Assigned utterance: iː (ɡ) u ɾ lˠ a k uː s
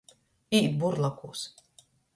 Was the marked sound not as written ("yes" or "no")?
yes